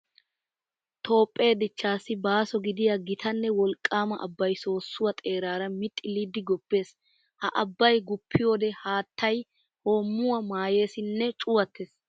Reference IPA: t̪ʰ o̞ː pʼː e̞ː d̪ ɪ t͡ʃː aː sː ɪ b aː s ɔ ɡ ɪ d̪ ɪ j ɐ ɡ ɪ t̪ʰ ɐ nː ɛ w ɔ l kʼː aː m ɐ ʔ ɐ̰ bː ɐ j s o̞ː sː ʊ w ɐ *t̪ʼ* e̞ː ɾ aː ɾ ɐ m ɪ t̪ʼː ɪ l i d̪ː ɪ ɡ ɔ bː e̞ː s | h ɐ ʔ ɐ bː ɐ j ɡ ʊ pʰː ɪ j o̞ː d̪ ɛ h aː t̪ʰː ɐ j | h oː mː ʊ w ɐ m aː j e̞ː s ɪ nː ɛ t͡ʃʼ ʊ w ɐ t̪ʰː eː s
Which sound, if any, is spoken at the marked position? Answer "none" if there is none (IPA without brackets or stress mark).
t̪ʼ